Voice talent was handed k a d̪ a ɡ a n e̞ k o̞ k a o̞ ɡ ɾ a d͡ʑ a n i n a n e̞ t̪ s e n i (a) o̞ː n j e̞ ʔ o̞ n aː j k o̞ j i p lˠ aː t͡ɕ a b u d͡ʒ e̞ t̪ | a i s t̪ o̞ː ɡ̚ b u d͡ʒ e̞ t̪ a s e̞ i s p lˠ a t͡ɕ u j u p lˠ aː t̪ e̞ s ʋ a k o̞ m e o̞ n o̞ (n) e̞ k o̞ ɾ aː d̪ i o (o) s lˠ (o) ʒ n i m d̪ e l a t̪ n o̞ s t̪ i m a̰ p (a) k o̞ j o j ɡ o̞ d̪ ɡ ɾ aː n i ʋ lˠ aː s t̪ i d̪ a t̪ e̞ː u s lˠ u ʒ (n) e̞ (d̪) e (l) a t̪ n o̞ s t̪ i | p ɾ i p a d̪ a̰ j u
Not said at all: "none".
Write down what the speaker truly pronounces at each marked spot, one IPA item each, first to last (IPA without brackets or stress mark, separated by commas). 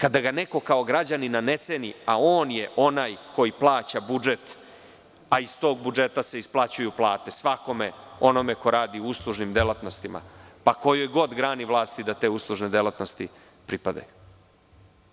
a, m, u, u, a, n, d̪, l